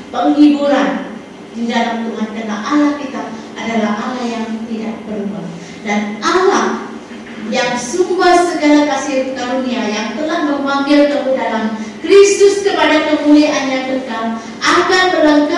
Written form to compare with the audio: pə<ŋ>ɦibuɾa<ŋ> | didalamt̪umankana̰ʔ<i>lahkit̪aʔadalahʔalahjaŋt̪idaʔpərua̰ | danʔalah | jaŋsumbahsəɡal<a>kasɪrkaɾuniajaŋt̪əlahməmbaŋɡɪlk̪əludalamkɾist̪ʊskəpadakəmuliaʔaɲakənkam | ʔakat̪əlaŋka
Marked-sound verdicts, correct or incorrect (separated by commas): correct, incorrect, incorrect, correct